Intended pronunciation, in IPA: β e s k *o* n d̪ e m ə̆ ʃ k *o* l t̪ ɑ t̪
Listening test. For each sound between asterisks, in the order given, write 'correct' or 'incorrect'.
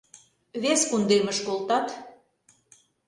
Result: incorrect: u, correct

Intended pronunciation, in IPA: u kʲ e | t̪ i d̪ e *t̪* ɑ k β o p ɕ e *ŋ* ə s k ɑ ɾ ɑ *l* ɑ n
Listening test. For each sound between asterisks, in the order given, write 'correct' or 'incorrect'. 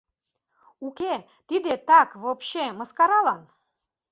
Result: correct, incorrect: m, correct

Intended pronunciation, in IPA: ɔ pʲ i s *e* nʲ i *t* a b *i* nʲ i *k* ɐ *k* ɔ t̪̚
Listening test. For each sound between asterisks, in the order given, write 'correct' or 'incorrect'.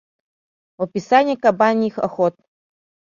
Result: incorrect: a, incorrect: k, incorrect: a, incorrect: x, incorrect: x

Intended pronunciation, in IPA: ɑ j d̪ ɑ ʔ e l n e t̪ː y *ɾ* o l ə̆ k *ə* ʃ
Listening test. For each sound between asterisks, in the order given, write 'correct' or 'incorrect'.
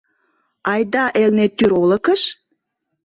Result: correct, correct

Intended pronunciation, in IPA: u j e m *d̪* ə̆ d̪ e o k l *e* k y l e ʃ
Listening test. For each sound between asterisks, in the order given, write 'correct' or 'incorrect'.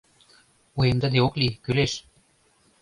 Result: correct, incorrect: i

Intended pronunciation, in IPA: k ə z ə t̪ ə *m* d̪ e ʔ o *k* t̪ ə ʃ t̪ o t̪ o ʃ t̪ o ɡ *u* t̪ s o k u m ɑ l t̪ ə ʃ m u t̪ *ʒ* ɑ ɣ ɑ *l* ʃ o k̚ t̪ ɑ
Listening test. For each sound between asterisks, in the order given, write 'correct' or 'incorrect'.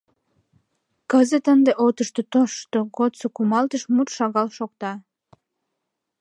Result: incorrect: n, incorrect: none, incorrect: o, incorrect: ʃ, correct

